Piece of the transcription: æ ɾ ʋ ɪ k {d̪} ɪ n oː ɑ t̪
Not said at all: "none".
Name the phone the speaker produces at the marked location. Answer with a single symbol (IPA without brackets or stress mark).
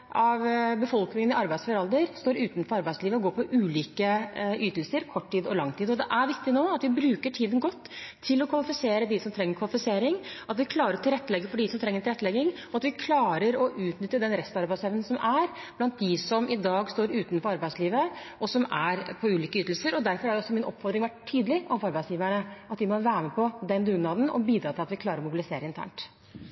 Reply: t̪